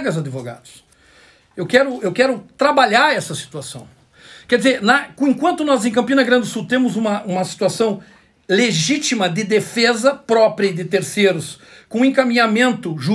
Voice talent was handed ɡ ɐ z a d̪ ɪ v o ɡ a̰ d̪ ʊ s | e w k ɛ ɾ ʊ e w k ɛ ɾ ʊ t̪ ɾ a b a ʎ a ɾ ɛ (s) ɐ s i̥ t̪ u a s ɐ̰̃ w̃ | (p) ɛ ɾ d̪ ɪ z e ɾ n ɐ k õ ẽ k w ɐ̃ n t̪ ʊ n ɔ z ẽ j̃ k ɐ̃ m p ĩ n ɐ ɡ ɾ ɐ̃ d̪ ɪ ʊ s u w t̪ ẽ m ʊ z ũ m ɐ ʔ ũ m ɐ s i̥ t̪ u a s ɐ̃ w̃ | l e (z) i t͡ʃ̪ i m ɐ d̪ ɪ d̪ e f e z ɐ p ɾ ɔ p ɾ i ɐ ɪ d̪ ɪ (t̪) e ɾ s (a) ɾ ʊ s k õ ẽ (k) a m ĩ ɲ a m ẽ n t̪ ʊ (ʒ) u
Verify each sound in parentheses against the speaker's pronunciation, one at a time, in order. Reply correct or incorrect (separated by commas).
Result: correct, incorrect, incorrect, correct, incorrect, correct, correct